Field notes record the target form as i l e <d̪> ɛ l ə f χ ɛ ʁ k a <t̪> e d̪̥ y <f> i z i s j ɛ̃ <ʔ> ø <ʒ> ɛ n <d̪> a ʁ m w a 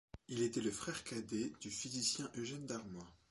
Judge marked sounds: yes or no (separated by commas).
no, no, yes, yes, yes, yes